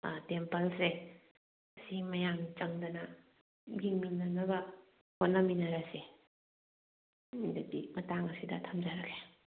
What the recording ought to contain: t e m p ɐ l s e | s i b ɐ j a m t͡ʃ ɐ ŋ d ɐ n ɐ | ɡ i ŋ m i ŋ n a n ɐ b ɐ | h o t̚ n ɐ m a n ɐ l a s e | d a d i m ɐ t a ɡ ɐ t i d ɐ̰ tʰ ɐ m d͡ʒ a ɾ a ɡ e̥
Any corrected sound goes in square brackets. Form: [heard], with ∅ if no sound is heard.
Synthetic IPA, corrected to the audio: t e m p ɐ l s e | s i [m] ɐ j a m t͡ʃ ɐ ŋ d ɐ n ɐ | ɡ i ŋ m i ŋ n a n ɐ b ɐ | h o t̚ n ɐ m [i] n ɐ [ɾ] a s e | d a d i m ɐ t a [ŋ] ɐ [s] i d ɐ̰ tʰ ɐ m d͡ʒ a ɾ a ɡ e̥